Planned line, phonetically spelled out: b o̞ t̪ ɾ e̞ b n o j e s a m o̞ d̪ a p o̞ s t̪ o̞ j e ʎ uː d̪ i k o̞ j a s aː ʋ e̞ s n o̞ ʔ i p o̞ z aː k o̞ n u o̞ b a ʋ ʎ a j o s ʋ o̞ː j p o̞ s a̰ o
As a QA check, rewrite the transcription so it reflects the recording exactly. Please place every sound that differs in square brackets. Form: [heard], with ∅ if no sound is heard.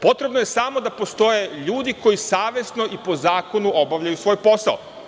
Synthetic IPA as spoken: [p] o̞ t̪ ɾ e̞ b n o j e s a m o̞ d̪ a p o̞ s t̪ o̞ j e ʎ uː d̪ i k o̞ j [i] s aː ʋ e̞ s n o̞ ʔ i p o̞ z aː k o̞ n u o̞ b a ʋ ʎ a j [u] s ʋ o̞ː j p o̞ s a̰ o